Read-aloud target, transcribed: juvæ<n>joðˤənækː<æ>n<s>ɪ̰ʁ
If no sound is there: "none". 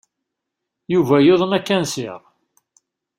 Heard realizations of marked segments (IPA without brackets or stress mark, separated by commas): none, æ, s